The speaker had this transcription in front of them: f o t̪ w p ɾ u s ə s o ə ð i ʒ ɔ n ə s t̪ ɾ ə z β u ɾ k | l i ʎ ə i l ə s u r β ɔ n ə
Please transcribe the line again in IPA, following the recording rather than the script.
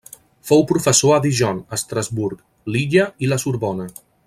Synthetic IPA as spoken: f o w p ɾ u f ə s o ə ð i ʒ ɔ n ə s t̪ ɾ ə z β u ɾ k | l i ʎ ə i l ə s u ɾ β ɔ n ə